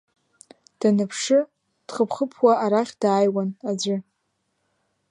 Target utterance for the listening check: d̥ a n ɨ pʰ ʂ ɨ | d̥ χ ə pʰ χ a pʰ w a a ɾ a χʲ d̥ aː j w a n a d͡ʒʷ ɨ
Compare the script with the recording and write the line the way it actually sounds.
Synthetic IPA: d̥ a n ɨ pʰ ʂ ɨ | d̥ χ ə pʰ χ ə pʰ w a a ɾ a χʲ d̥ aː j w a n a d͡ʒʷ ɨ